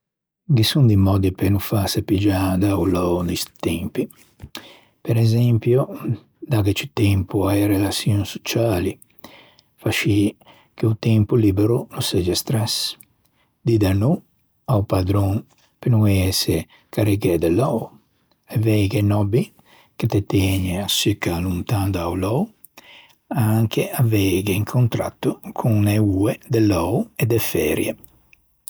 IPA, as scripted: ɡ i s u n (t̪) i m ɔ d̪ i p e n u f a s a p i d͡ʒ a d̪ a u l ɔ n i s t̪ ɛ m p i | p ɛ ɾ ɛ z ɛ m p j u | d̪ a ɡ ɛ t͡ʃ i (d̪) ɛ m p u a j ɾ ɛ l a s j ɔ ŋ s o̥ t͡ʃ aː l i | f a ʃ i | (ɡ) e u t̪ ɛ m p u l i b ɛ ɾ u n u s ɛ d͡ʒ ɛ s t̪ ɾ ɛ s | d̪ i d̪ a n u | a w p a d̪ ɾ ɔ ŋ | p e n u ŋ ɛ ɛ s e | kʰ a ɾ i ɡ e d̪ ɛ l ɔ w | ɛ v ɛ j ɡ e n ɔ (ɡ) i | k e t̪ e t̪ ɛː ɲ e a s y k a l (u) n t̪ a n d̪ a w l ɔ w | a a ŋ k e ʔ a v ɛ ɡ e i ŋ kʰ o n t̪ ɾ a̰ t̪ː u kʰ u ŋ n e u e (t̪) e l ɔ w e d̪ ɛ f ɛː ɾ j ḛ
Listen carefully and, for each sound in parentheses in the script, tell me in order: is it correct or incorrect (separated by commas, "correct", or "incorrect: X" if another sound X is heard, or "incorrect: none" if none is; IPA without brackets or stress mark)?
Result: incorrect: d̪, incorrect: t̪, incorrect: k, incorrect: b, correct, incorrect: d̪